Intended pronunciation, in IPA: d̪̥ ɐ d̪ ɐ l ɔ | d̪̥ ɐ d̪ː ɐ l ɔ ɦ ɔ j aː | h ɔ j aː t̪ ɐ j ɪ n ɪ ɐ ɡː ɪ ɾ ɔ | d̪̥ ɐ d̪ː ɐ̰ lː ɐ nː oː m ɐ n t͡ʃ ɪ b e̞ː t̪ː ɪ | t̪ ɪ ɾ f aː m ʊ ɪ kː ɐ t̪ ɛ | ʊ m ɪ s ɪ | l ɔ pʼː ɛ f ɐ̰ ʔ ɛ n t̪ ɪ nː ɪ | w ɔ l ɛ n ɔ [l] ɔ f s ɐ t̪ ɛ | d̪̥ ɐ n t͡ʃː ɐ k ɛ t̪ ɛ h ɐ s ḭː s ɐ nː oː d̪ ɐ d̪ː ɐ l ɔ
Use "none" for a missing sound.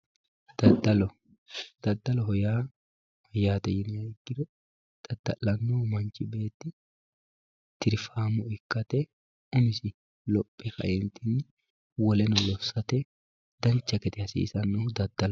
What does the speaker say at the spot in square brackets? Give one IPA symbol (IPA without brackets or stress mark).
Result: l